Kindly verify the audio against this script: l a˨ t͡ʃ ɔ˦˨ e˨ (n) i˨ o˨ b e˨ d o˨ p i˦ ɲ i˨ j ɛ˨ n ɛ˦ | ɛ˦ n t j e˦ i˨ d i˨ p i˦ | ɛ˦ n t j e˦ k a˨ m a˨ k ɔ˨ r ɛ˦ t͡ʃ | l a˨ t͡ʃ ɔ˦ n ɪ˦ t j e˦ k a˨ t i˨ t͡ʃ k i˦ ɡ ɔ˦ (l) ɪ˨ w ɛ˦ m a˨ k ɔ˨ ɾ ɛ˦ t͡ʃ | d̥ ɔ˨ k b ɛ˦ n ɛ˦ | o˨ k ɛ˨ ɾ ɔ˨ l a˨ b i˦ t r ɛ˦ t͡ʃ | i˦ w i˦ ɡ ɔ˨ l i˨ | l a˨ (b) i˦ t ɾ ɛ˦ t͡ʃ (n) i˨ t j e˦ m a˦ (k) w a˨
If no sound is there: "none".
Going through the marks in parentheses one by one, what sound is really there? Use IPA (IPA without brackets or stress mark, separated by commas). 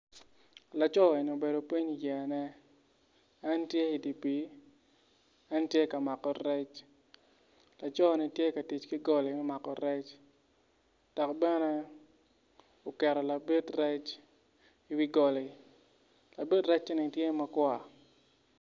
n, l, b, n, k